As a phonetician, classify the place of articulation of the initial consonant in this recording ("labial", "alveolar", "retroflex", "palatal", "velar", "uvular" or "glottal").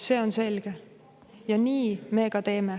alveolar